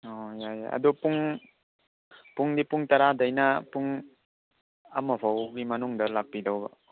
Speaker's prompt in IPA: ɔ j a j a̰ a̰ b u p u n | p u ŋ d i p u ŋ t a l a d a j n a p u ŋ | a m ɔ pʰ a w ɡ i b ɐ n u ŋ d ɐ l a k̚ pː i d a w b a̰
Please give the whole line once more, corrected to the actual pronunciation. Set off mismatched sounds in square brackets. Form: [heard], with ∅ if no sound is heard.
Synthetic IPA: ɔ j a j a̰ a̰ [d] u p u [ŋ] | p u ŋ d i p u ŋ t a [ɾ] a d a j n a p u ŋ | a m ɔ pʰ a w ɡ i [m] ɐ n u ŋ d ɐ l a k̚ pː i d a w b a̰

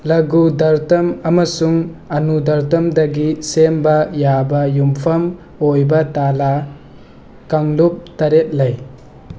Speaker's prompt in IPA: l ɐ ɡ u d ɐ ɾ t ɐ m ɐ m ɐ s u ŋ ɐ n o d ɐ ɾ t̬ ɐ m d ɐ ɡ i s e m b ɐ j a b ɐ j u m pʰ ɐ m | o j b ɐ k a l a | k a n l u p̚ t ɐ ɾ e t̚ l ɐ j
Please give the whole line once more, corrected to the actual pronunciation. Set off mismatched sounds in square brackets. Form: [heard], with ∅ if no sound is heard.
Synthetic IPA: l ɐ ɡ u d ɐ ɾ t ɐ m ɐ m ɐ s u ŋ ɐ n [u] d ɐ ɾ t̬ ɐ m d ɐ ɡ i s e m b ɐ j a b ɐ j u m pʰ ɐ m | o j b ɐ [t] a l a | k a [ŋ] l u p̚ t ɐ ɾ e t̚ l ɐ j

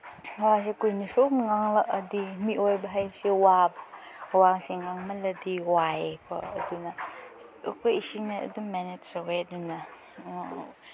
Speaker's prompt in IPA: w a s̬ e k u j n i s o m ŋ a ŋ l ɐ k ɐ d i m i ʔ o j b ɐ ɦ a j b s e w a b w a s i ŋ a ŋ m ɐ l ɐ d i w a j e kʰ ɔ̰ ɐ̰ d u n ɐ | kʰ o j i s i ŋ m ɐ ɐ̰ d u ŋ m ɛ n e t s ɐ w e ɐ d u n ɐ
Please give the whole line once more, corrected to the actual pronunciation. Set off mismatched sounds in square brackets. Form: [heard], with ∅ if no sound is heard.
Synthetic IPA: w a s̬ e k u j n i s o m ŋ a ŋ l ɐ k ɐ d i m i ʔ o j b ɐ ɦ a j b s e w a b w a s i ŋ a ŋ m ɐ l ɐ d i w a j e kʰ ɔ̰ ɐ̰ d u n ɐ | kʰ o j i s i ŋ [n] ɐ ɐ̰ d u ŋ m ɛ n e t s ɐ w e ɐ d u n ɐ

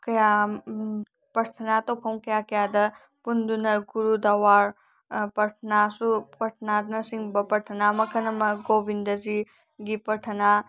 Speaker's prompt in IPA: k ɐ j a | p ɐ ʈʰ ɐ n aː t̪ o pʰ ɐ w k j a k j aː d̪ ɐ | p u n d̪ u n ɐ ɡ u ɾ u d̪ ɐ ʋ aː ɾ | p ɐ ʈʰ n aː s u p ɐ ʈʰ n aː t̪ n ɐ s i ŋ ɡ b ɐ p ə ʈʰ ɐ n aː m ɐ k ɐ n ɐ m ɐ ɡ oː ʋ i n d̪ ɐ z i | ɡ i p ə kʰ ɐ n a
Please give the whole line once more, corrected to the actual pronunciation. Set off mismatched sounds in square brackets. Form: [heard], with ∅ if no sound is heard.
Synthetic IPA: k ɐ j a | p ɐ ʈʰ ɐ n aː t̪ o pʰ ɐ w k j a k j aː d̪ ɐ | p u n d̪ u n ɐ ɡ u ɾ u d̪ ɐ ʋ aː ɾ | p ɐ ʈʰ n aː s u p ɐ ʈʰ n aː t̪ n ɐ s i ŋ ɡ b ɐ p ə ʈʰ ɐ n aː m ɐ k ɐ n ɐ m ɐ ɡ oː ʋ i n d̪ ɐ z i | ɡ i p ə [ʈʰ] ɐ n a

